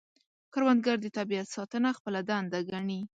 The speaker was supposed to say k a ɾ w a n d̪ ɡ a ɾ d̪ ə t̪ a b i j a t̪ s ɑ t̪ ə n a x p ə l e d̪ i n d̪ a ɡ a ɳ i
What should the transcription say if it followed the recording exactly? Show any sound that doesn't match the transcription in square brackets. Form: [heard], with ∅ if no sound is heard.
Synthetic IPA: k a ɾ w a n d̪ ɡ a ɾ d̪ ə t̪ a b i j a t̪ s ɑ t̪ ə n a x p ə l [a] d̪ [a] n d̪ a ɡ a ɳ i